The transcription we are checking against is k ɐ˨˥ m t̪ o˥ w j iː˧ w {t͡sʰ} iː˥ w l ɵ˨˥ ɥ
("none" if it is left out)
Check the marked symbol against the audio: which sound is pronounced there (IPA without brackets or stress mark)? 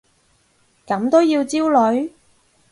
t͡s